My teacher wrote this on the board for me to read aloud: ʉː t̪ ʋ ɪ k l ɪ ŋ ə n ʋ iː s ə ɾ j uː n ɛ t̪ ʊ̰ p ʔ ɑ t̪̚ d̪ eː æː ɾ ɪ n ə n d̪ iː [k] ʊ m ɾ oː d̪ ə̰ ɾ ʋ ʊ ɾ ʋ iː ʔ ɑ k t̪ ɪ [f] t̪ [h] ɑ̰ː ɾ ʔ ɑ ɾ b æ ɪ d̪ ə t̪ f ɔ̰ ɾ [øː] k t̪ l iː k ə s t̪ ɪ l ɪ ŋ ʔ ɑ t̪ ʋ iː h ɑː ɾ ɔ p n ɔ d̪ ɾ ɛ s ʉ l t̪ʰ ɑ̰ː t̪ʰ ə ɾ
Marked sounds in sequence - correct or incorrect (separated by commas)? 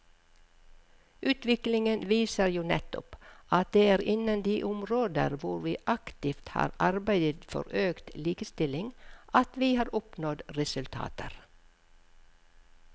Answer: incorrect, correct, correct, correct